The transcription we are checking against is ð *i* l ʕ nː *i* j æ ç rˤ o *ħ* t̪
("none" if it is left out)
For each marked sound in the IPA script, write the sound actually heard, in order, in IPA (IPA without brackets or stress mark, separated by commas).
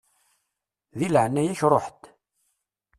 i, æ, ħ